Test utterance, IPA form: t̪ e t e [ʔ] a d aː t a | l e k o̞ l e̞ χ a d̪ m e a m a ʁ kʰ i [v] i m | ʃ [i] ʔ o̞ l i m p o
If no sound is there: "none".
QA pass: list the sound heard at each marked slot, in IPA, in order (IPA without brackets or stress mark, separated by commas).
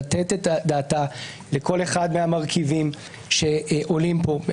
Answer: t, v, e